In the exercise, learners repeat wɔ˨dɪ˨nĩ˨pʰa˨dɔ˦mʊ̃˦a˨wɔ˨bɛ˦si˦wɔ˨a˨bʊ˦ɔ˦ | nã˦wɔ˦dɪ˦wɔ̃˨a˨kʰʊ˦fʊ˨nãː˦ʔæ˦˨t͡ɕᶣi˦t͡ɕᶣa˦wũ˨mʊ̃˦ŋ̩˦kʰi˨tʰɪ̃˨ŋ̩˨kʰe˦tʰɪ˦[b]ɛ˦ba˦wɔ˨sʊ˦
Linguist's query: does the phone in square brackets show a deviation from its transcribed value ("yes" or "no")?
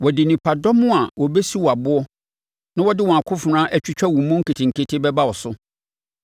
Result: no